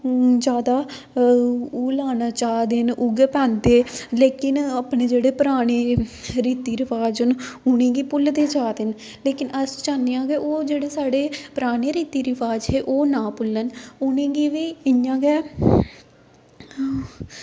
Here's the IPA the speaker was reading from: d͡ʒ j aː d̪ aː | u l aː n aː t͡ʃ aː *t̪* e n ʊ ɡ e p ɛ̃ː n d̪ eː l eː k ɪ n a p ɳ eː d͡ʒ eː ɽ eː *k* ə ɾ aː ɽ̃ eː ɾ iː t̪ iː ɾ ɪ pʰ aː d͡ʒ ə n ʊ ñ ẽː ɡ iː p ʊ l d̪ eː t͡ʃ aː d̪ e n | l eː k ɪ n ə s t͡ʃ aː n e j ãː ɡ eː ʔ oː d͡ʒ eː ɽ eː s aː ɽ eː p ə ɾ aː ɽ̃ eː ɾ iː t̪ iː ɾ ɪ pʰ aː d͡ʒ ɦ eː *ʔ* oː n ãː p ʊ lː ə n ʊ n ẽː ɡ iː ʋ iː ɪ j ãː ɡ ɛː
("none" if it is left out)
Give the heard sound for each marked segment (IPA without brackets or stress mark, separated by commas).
d̪, p, ʔ